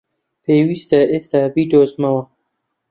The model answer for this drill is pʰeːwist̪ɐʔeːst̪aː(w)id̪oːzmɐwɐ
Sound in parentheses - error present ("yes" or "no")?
yes